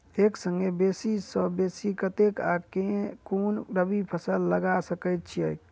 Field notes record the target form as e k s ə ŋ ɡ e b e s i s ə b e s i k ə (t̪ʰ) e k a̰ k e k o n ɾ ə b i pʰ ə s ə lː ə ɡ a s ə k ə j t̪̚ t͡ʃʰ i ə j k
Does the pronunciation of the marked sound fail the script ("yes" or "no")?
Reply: yes